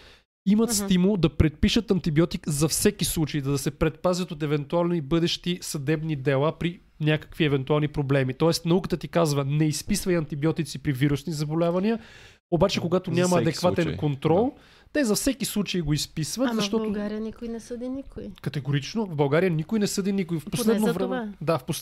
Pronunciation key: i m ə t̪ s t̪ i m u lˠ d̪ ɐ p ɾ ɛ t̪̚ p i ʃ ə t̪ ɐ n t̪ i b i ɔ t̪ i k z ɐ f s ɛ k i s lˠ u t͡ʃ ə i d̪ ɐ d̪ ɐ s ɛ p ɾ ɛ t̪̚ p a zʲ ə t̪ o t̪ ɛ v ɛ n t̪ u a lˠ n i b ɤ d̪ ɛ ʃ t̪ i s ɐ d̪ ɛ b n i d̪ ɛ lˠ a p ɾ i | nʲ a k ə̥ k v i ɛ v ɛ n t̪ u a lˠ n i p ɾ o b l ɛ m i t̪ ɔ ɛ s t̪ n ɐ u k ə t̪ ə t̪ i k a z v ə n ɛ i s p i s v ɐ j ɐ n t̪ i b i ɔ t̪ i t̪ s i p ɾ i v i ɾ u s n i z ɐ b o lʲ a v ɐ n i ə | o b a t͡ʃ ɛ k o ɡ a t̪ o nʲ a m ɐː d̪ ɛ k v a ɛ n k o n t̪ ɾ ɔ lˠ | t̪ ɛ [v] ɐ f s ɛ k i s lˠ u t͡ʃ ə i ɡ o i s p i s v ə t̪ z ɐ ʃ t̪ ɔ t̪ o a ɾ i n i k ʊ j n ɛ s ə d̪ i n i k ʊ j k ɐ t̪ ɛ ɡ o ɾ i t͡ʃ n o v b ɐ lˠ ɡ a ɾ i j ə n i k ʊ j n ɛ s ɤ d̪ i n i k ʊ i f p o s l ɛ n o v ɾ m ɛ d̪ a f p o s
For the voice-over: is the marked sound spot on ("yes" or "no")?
no